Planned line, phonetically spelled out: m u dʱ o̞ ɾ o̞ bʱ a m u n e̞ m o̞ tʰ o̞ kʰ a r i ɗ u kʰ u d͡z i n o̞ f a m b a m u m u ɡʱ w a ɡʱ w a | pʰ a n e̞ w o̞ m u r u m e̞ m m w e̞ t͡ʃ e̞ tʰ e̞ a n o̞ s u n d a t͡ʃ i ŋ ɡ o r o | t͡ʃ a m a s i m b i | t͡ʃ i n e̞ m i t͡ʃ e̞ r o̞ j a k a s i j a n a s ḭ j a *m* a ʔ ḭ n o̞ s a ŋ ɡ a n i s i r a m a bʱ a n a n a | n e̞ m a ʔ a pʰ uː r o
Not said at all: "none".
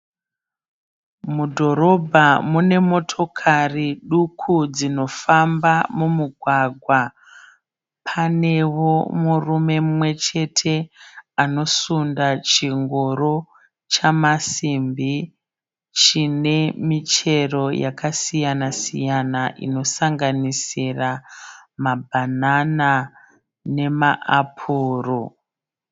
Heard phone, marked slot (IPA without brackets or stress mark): n